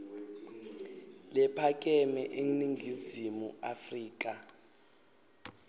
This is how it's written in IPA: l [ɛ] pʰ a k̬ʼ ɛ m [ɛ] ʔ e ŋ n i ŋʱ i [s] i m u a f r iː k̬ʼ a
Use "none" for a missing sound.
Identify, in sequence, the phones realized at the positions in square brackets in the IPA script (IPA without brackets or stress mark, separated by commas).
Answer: ɛ, ɛ, z